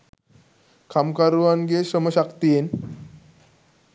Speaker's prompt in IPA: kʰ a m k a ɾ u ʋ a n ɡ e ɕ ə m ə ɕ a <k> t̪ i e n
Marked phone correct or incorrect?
correct